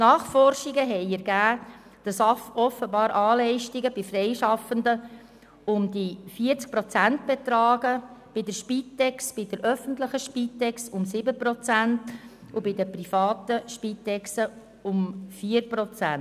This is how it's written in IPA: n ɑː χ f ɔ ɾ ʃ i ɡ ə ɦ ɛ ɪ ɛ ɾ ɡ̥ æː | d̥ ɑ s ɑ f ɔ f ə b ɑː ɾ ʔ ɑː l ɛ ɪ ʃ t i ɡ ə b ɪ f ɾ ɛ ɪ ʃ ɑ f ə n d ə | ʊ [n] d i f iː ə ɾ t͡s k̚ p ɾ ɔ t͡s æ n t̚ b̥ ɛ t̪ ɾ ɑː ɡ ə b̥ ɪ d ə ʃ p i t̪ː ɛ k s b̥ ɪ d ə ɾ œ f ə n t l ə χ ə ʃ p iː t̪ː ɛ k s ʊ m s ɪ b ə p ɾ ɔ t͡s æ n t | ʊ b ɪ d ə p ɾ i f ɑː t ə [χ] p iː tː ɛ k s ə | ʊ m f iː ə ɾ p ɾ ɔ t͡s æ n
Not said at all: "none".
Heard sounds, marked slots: m, ʃ

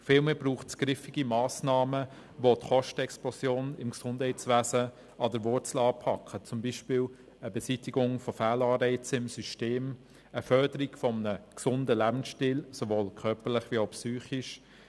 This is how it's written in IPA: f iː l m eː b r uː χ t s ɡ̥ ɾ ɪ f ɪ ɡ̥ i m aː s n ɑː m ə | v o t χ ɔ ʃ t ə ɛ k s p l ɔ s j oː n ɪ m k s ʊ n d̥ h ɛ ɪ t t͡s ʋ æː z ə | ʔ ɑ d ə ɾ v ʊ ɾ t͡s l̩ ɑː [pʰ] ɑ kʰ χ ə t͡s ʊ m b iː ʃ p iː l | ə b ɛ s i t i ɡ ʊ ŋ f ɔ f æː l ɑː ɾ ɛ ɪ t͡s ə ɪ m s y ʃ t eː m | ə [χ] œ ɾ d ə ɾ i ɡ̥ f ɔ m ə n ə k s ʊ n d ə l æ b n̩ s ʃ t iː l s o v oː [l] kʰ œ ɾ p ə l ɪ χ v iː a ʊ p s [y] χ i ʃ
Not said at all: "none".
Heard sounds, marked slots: pʰ, f, l, yː

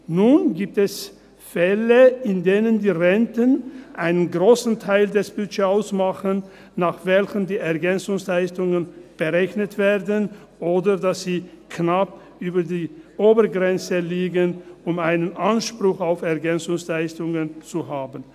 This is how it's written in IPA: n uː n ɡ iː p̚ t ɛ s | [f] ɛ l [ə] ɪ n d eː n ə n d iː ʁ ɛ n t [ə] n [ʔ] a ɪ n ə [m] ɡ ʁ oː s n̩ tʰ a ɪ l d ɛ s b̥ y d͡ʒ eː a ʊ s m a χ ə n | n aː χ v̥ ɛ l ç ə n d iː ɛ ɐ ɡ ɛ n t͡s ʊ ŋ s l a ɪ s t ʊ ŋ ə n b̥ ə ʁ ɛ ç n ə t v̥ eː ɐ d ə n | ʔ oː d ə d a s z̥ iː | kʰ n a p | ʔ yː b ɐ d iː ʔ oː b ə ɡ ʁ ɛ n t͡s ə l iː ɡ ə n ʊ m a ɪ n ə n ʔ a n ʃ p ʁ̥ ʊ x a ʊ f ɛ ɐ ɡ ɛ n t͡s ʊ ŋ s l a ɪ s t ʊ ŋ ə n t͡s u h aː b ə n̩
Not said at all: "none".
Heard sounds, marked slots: f, ə, ə, ʔ, n

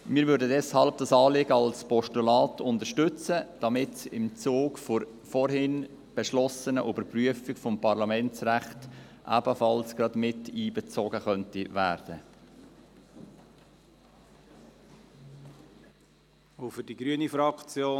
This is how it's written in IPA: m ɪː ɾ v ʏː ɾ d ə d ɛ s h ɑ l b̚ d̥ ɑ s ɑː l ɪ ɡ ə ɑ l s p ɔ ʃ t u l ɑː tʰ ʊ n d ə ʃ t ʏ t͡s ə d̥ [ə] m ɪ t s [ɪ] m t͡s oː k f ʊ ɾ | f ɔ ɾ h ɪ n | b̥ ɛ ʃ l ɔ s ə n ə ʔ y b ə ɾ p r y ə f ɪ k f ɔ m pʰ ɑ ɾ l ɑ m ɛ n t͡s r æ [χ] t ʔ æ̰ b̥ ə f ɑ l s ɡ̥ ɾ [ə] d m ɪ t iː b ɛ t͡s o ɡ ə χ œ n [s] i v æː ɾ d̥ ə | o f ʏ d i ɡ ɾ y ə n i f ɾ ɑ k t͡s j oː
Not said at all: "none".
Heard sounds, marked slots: ɑ, ɪ, χ, ɑ, t

